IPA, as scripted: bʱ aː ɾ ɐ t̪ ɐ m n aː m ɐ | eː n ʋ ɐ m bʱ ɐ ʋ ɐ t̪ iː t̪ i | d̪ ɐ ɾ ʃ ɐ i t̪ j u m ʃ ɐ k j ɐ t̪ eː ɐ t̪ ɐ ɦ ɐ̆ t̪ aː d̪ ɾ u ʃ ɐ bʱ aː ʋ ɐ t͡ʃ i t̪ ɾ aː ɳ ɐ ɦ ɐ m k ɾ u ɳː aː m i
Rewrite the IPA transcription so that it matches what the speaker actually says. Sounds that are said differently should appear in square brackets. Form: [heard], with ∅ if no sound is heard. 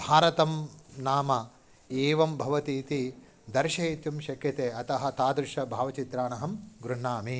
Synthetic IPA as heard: bʱ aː ɾ ɐ t̪ ɐ m n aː m ɐ | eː [∅] ʋ ɐ m bʱ ɐ ʋ ɐ t̪ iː t̪ i | d̪ ɐ ɾ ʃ ɐ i t̪ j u m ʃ ɐ k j ɐ t̪ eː ɐ t̪ ɐ ɦ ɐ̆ t̪ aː d̪ ɾ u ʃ ɐ bʱ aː ʋ ɐ t͡ʃ i t̪ ɾ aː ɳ ɐ ɦ ɐ m [ɡ] ɾ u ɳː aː m i